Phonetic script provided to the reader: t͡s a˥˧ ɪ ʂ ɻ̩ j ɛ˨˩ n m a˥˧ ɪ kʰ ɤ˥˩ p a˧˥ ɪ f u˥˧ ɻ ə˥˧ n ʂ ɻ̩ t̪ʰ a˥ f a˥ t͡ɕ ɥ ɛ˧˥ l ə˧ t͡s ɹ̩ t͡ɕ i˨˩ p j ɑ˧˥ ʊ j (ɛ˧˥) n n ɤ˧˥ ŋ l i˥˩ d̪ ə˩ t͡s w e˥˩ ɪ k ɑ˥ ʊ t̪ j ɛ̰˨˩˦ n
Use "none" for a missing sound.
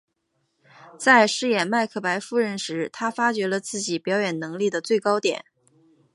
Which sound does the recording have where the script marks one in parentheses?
ɛ˨˩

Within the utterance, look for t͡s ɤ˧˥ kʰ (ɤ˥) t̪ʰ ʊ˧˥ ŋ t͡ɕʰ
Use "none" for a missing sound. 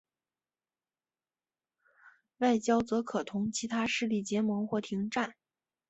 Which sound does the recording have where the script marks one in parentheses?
ɤ˨˩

